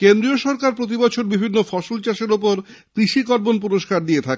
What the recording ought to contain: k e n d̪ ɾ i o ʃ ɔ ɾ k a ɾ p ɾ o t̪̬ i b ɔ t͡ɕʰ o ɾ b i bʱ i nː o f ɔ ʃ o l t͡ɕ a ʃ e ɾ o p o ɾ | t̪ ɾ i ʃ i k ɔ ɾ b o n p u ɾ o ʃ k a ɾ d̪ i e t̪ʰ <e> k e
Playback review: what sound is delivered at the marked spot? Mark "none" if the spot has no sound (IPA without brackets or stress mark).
a